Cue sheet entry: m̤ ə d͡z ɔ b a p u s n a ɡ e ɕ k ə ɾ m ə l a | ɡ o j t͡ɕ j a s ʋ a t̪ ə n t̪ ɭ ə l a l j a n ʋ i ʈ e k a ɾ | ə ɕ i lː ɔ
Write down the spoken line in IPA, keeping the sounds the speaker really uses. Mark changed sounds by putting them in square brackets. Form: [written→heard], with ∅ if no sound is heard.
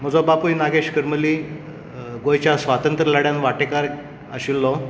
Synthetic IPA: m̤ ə d͡z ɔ b a p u [s→∅] n a ɡ e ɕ k ə ɾ m ə l [a→i] | ɡ o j t͡ɕ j a s ʋ a t̪ ə n t̪ [ɭ→ɾ] ə l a [l→ɽ] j a n ʋ [i→a] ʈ e k a ɾ | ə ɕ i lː ɔ